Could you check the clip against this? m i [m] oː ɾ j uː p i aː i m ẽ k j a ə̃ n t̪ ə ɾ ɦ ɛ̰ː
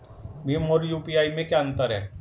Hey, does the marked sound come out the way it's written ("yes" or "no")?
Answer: yes